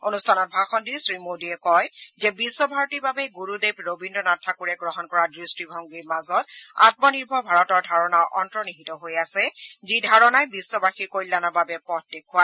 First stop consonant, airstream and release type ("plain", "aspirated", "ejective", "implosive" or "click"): aspirated